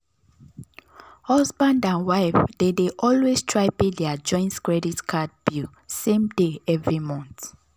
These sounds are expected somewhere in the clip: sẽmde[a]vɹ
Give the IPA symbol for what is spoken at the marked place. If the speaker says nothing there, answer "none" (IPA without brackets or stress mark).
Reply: ɛ